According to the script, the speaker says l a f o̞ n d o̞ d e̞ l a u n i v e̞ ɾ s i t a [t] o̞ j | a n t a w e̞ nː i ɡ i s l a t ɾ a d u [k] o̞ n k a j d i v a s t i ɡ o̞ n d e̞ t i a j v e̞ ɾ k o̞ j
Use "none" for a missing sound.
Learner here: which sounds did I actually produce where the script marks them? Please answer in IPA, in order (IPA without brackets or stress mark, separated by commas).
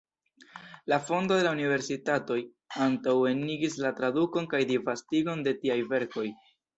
t, k